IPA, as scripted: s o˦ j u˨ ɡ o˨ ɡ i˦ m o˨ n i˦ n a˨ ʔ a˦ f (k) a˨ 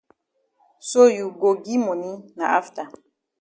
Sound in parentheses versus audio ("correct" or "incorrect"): incorrect